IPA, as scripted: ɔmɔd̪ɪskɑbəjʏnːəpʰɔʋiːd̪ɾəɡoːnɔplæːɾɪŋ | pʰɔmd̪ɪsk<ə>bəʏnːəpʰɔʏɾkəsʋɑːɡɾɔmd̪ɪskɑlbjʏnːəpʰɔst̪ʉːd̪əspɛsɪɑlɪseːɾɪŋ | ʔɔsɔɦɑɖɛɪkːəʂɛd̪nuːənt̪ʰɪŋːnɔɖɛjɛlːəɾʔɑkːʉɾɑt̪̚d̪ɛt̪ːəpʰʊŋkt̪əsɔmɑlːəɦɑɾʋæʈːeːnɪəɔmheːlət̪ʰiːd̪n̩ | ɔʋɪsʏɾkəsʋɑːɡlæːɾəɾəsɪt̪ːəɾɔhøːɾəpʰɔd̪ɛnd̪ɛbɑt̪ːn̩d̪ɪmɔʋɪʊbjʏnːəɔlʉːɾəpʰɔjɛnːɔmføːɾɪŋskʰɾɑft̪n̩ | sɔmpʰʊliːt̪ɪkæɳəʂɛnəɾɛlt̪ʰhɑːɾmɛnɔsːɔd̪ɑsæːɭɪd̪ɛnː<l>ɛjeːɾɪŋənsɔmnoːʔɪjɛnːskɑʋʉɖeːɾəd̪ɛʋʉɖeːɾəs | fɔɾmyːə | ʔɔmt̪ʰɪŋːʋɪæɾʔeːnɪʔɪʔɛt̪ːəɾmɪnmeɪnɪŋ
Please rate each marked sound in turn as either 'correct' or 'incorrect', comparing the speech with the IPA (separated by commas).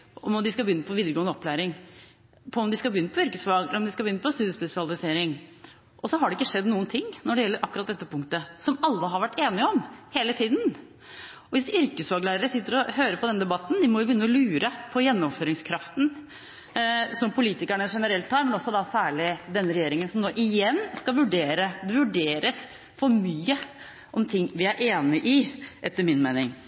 incorrect, incorrect